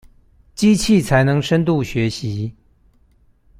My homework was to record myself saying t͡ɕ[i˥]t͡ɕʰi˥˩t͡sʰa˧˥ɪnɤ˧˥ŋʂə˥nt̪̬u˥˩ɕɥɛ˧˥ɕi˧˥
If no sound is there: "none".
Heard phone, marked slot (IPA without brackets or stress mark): i˥